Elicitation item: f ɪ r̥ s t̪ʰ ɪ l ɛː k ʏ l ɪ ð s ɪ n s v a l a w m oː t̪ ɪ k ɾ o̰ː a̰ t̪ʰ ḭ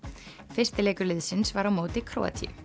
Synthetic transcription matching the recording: f ɪ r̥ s t̪ ɪ l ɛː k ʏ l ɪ ð s ɪ n s v a ɾ a w m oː t̪ ɪ kʰ ɾ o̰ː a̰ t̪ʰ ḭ